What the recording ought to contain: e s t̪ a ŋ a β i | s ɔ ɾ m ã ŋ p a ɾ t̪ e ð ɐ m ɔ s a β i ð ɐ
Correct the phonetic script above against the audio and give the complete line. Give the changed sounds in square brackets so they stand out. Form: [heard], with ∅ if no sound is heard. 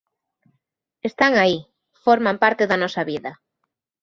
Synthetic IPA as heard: e s t̪ a ŋ a [∅] i | [f] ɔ ɾ m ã [m] p a ɾ t̪ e ð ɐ [n] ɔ s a β i ð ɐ